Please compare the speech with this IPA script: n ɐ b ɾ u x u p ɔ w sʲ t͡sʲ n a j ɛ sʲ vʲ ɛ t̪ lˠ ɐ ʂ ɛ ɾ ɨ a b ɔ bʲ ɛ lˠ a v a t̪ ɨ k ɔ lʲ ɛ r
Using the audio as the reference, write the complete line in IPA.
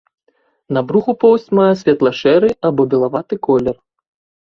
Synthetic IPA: n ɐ b ɾ u x u p ɔ w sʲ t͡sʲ m a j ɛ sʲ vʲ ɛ t̪ lˠ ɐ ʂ ɛ ɾ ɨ a b ɔ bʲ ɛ lˠ a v a t̪ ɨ k ɔ lʲ ɛ r